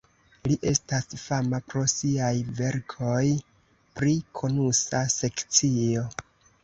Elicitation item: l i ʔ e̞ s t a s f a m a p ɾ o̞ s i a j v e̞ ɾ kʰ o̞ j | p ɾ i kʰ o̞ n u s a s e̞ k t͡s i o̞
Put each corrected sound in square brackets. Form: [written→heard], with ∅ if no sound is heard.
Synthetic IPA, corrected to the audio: l i ʔ e̞ s t a s f a m a p ɾ o̞ s i a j v e̞ ɾ kʰ o̞ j | p ɾ i kʰ o̞ n u s a s e̞ k t͡s i o̞